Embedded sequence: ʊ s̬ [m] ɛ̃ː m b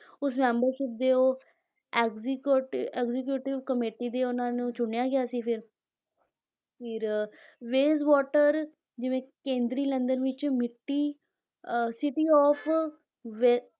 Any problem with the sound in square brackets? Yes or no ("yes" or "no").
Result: no